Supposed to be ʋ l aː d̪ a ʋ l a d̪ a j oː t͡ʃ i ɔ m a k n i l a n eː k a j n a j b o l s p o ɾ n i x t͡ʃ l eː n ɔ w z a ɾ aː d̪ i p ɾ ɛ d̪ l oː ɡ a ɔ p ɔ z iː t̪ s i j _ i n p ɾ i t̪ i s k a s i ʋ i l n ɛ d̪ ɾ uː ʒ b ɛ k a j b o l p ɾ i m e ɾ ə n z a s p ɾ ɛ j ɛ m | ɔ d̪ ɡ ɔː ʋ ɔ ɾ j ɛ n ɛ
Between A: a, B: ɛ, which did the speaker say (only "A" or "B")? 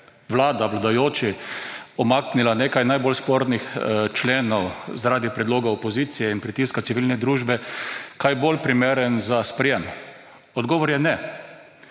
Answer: B